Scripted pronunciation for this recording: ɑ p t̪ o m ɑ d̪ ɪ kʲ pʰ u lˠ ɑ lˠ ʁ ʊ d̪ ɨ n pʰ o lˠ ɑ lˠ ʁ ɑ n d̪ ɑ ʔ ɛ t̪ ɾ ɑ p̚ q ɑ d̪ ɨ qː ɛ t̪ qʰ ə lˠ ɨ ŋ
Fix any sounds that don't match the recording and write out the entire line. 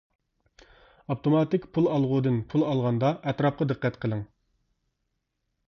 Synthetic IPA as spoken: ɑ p t̪ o m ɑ t̪ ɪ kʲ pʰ u lˠ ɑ lˠ ʁ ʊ d̪ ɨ n pʰ u lˠ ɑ lˠ ʁ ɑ n d̪ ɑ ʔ ɛ t̪ ɾ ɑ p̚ q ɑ d̪ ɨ qː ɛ t̪ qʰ ə lˠ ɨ ŋ